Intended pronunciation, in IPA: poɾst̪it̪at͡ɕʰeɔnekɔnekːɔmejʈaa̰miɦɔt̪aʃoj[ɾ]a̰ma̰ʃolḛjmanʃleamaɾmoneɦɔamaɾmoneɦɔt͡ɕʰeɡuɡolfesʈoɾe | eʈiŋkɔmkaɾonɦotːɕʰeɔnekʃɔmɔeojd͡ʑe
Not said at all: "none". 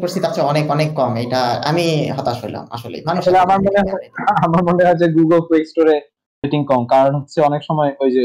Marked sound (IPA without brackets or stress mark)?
l